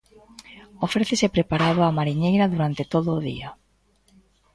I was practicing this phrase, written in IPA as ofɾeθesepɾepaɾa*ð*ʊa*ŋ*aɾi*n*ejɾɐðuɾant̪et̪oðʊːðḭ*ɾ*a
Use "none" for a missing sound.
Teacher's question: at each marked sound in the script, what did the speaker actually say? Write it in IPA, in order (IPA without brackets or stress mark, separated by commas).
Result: ð, m, ɲ, none